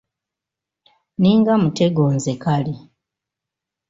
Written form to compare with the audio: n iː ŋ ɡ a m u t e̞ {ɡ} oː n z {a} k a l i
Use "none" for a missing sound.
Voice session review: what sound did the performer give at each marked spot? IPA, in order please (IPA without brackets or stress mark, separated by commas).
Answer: ɡ, e